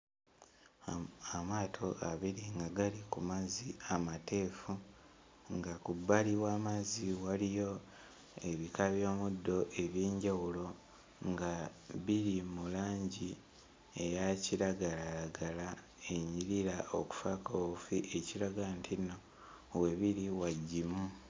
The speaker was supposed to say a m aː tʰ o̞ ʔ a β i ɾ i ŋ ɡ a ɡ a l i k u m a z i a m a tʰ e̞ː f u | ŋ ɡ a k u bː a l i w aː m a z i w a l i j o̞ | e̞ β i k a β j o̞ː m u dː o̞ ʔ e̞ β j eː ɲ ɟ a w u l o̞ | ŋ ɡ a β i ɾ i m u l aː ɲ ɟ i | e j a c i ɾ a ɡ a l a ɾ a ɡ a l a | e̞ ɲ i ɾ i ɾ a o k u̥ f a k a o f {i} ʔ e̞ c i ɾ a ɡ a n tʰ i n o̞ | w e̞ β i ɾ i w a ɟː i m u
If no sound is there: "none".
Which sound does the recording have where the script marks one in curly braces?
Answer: i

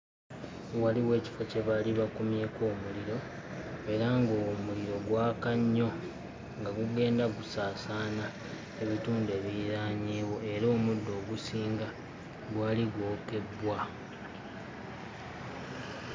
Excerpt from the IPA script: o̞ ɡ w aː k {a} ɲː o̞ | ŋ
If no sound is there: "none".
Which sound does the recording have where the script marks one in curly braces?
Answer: a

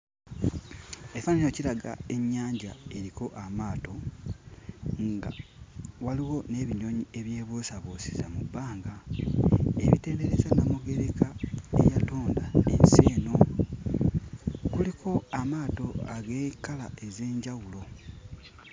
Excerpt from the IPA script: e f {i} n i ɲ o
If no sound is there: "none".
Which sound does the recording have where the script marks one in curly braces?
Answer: a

